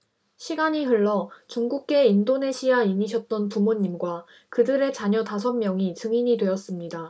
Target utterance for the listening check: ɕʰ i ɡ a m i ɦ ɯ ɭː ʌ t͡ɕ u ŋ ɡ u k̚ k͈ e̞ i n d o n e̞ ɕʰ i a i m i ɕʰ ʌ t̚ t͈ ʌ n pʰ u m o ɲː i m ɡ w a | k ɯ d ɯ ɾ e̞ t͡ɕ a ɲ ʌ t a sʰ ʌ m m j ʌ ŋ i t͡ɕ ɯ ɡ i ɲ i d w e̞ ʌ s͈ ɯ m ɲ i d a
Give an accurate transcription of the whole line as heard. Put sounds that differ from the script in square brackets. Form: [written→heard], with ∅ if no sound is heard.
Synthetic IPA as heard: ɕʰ i ɡ a [m→ɲ] i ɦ ɯ ɭː ʌ t͡ɕ u ŋ ɡ u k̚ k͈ e̞ i n d o n e̞ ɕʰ i a i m i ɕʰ ʌ t̚ t͈ ʌ n [pʰ→p] u m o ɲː i m ɡ w a | k ɯ d ɯ ɾ e̞ t͡ɕ a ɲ ʌ t a sʰ ʌ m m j ʌ ŋ i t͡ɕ ɯ [ɡ→ŋ] i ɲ i d w e̞ ʌ s͈ ɯ m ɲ i d a